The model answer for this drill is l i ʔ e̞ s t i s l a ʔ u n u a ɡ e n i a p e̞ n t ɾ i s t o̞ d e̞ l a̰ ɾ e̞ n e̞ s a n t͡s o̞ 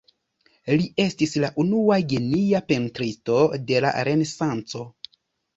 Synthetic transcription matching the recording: l i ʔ e̞ s t i s l a ʔ u n u a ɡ e n i a p e̞ n t ɾ i s t o̞ d e̞ l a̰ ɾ e̞ n e̞ s a n t͡s o̞